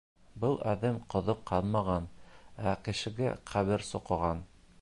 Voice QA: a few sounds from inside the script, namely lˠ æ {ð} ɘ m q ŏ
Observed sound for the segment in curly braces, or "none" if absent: ð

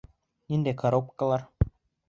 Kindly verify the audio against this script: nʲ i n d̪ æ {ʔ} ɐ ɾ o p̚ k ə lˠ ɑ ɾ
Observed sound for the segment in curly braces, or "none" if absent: k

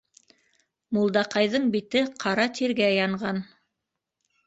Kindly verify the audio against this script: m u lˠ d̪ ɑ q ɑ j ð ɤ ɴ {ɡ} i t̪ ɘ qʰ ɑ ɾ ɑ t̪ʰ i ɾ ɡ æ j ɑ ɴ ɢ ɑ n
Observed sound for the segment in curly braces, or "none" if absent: b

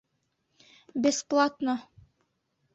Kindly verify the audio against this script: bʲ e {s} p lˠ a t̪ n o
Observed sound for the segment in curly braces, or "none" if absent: s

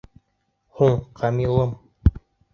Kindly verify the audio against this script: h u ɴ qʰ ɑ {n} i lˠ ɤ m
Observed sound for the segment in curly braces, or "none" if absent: m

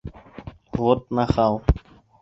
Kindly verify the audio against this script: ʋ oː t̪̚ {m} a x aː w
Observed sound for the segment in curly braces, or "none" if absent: n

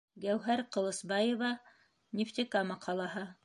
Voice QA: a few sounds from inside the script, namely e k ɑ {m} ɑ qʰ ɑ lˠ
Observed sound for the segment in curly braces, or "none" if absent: m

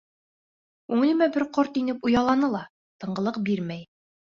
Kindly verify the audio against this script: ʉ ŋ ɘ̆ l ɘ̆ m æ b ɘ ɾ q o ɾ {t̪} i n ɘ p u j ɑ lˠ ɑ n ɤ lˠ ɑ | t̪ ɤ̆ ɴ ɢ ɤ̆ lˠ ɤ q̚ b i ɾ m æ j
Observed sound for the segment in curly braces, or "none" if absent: t̪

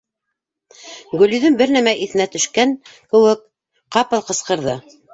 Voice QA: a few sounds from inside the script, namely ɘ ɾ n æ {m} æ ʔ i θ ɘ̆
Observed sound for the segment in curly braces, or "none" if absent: m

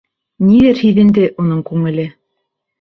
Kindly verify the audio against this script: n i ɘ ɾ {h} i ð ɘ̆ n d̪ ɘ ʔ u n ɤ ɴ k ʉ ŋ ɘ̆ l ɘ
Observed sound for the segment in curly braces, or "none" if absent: h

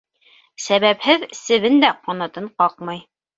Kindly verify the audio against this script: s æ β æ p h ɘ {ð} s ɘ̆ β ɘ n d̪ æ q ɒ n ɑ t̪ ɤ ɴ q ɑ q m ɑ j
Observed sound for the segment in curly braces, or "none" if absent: ð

